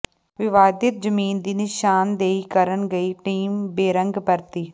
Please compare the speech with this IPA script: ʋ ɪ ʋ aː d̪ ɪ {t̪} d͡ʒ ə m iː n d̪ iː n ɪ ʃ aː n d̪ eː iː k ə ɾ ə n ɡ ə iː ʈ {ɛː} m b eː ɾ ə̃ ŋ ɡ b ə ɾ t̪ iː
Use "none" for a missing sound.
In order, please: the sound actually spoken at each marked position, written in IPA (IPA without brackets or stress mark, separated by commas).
t̪, iː